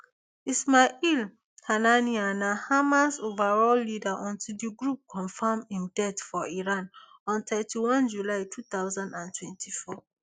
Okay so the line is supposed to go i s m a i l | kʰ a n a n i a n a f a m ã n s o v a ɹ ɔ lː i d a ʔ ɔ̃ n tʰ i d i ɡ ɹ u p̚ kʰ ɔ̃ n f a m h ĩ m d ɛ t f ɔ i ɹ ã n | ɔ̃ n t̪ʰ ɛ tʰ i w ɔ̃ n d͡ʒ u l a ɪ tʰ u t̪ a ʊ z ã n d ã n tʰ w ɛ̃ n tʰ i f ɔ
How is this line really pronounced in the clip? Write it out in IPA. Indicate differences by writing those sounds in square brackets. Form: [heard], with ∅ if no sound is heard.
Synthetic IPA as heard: i s m a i l | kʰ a n a n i a n a [h] a m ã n s o v a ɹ ɔ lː i d a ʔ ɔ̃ n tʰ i d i ɡ ɹ u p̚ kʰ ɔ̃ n f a m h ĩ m d ɛ t f ɔ i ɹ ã n | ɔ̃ n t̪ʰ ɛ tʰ i w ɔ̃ n d͡ʒ u l a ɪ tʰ u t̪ a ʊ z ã n d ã n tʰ w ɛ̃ n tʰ i f ɔ